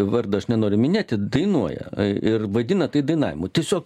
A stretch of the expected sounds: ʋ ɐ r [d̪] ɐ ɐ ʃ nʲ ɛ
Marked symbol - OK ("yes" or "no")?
yes